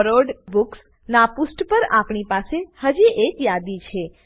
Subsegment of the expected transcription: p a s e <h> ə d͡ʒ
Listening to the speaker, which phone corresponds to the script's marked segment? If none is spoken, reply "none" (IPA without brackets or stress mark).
h